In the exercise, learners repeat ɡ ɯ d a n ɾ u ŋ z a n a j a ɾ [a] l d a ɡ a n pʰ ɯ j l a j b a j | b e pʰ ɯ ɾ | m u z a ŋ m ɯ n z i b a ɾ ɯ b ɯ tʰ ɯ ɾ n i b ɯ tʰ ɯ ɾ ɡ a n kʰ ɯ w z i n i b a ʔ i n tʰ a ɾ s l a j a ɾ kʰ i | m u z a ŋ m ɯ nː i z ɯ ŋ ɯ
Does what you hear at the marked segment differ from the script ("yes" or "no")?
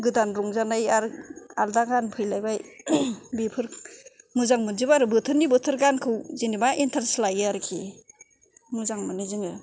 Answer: no